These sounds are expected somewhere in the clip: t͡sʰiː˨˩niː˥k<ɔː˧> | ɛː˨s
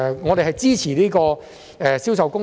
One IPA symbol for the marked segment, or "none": ɔː˧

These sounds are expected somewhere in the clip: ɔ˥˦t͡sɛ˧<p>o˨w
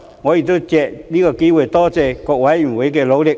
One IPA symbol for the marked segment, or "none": k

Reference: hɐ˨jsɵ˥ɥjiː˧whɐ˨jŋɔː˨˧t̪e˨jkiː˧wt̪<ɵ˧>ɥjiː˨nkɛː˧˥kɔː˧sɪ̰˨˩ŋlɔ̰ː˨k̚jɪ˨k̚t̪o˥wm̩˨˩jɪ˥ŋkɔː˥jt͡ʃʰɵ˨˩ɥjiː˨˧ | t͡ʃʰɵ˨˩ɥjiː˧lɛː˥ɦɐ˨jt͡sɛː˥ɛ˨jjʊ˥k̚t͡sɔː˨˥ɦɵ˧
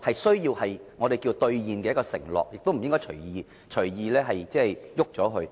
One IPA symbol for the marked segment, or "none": ɵ˧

